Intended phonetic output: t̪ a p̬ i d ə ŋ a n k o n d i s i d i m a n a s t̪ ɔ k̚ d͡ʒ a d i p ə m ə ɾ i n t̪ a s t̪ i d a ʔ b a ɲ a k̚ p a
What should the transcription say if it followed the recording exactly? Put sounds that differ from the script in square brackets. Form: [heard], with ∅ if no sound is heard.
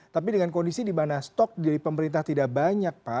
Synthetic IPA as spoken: t̪ a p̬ i d ə ŋ a n k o n d i s i d i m a n a s t̪ ɔ k̚ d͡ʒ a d i p ə m ə ɾ i n t̪ a [h] t̪ i d a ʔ b a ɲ a k̚ p a